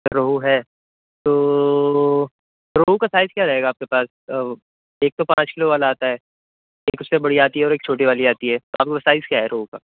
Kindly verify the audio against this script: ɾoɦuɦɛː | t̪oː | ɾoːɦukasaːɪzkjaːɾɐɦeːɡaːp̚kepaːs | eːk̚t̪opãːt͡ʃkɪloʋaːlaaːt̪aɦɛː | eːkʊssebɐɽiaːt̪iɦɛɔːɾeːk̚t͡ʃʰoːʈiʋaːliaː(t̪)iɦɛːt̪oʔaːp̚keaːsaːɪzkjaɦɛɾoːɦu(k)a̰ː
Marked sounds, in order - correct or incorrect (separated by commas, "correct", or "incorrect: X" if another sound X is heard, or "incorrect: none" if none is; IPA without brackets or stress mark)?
correct, correct